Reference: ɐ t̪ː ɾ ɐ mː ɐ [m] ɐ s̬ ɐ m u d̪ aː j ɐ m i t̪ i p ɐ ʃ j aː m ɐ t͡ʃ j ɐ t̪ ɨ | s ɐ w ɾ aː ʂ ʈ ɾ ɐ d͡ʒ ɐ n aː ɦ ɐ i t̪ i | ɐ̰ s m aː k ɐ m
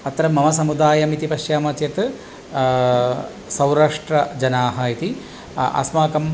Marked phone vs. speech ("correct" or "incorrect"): correct